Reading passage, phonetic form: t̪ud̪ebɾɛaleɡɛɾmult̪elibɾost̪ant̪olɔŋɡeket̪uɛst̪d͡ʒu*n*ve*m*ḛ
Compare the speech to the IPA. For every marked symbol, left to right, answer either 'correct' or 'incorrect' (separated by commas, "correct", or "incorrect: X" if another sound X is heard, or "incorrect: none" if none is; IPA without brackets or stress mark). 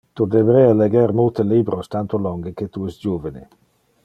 incorrect: none, incorrect: n